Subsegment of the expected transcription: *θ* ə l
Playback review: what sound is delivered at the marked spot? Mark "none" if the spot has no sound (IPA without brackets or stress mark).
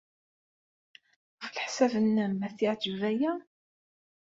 f